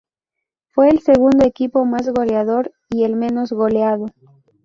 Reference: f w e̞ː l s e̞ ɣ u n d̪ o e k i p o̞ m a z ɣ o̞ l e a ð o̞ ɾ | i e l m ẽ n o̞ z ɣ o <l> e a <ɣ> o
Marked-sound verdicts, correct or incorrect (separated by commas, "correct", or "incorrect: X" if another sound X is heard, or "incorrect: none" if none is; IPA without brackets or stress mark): correct, incorrect: ð